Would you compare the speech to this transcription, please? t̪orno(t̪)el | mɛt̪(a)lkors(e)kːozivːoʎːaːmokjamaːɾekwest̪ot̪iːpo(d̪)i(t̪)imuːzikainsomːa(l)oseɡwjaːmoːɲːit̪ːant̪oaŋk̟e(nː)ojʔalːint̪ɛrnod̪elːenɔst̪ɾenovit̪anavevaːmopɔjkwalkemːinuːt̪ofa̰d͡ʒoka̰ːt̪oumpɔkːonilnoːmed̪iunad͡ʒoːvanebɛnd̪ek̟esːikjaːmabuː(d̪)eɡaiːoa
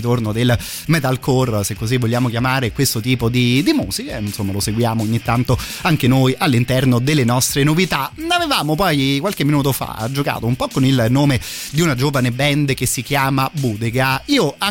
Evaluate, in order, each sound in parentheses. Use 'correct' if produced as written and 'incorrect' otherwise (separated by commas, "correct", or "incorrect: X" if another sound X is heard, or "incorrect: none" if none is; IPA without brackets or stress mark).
incorrect: d̪, correct, correct, correct, incorrect: d̪, correct, incorrect: n, correct